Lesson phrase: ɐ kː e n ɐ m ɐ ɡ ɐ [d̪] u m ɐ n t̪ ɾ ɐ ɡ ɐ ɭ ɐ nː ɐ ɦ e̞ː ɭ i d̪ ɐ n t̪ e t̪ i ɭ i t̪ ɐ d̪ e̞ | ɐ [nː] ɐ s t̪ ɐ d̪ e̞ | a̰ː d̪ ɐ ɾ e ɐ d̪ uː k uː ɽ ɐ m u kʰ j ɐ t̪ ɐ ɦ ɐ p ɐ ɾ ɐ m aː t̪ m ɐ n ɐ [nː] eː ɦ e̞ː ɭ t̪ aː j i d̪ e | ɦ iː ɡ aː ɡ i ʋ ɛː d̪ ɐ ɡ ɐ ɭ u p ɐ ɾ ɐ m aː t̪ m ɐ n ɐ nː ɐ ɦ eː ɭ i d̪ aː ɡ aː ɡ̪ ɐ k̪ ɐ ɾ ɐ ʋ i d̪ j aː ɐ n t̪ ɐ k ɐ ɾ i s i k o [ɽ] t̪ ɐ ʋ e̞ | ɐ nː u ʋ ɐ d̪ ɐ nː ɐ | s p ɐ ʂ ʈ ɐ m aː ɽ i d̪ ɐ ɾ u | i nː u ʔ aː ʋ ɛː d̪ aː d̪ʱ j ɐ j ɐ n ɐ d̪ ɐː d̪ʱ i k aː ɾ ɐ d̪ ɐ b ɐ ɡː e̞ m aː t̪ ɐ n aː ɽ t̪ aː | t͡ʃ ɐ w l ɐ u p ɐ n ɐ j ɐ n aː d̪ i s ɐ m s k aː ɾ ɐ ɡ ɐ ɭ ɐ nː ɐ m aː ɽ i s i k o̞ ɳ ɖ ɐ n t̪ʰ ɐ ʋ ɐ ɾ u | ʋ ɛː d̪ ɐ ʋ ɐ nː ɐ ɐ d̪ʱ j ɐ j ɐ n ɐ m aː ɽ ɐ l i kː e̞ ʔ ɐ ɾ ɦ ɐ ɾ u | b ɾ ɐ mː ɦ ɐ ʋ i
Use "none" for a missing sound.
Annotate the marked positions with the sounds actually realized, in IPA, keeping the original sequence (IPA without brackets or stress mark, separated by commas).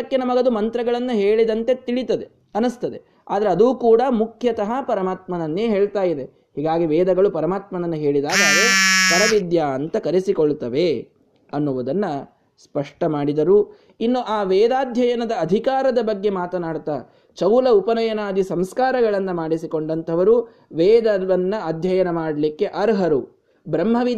d̪, n, nː, ɭ